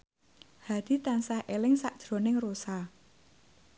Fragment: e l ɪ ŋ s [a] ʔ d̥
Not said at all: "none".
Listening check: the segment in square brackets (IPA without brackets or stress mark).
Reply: a